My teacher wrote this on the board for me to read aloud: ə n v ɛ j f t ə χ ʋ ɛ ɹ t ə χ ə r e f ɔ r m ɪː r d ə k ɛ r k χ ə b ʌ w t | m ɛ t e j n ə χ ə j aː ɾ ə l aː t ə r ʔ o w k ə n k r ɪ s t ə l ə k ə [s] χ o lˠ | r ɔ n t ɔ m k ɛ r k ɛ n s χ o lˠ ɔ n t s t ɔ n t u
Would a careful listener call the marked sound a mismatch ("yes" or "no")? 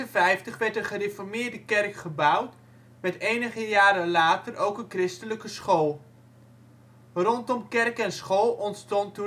no